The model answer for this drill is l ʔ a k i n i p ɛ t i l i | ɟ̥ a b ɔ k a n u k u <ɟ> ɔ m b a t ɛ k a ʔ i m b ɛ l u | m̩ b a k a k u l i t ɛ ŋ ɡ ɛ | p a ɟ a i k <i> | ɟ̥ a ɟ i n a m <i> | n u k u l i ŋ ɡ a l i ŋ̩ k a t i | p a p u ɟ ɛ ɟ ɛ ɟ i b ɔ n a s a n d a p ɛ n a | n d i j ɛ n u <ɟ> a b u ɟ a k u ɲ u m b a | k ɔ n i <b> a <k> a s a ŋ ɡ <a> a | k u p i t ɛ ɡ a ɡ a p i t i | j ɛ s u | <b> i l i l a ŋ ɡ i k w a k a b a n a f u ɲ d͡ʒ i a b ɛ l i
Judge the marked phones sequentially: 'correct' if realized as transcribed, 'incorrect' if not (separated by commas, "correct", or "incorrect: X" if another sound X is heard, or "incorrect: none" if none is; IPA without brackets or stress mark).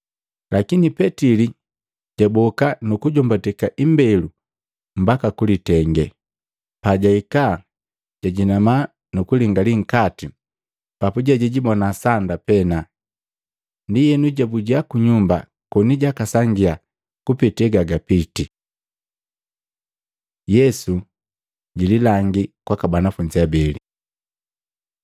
correct, incorrect: a, incorrect: a, correct, incorrect: ɟ, correct, incorrect: i, incorrect: ɟ